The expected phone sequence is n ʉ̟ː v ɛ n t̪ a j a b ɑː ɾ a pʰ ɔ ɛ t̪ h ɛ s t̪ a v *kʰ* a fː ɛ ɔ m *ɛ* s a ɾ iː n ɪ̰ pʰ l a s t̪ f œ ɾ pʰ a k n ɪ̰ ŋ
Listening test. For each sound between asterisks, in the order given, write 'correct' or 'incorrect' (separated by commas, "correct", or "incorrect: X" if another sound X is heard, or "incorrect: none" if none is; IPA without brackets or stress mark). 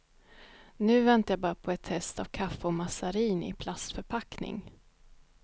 correct, incorrect: a